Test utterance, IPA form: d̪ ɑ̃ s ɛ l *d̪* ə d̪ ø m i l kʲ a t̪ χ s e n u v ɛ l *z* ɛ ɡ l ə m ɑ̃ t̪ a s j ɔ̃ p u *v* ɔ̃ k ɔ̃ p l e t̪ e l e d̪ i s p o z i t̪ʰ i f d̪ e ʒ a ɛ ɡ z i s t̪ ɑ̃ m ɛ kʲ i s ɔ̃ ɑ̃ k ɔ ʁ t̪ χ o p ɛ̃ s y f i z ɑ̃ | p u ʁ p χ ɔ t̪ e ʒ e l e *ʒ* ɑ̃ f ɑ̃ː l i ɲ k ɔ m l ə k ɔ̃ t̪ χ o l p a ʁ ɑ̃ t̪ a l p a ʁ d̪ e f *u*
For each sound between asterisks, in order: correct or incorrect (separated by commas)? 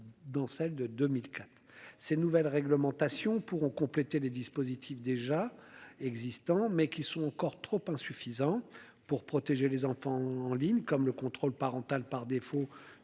correct, incorrect, incorrect, incorrect, incorrect